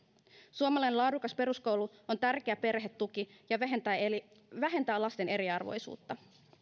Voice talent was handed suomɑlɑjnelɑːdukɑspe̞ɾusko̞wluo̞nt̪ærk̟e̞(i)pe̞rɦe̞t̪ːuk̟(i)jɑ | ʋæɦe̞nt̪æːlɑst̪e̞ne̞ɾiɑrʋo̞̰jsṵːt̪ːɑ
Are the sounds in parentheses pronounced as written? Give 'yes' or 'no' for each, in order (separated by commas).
no, yes